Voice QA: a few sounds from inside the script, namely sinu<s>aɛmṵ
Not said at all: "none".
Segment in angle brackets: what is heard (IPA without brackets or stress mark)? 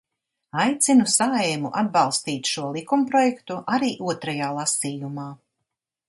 s